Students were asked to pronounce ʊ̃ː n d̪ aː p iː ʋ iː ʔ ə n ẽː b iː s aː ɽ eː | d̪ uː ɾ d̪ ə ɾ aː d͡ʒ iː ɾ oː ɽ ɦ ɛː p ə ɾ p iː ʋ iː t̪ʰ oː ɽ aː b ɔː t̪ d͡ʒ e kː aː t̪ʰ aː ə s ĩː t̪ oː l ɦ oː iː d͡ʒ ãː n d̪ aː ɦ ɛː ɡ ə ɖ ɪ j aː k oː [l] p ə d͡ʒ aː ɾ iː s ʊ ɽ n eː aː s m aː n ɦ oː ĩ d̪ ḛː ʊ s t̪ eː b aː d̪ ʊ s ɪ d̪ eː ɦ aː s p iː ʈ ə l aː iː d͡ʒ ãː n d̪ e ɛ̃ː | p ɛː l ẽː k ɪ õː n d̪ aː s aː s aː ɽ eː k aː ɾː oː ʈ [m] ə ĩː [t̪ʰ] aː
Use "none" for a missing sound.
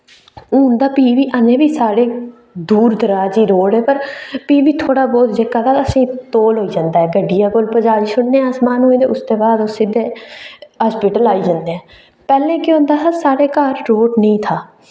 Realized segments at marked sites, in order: l, n, t̪ʰ

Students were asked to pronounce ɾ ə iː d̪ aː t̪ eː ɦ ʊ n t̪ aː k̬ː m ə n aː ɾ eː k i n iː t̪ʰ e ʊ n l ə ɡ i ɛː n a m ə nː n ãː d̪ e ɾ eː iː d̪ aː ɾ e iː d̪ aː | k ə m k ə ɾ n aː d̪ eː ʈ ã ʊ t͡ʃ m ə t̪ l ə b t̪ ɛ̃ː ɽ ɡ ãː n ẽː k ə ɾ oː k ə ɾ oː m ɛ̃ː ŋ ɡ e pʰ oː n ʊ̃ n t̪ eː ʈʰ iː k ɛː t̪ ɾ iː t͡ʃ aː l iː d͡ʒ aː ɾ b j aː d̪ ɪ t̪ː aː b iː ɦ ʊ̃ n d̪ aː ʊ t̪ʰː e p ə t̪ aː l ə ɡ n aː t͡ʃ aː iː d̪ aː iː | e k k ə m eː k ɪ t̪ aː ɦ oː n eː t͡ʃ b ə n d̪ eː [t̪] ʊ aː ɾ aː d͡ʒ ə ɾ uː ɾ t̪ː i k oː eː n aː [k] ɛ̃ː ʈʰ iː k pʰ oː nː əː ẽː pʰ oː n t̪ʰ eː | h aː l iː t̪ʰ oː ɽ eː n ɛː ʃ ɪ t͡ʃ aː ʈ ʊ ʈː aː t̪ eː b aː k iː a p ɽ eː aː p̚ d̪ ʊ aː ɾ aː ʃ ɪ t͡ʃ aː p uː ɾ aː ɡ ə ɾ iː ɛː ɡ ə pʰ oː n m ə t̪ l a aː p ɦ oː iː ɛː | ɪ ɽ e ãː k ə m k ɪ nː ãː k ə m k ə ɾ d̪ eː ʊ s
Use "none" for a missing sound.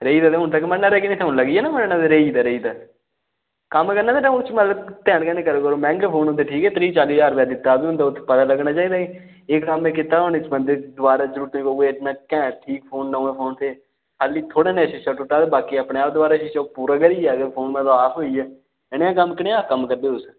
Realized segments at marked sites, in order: d̪, k

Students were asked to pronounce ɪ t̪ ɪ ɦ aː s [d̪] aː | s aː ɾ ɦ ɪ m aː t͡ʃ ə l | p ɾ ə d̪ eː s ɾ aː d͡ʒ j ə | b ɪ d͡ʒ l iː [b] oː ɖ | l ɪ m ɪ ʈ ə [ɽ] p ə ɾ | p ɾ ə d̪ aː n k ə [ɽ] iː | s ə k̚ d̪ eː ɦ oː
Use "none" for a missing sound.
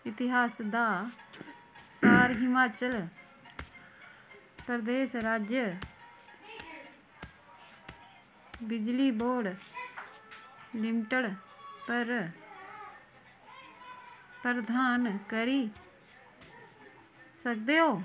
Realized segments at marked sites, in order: d̪, b, ɽ, ɾ

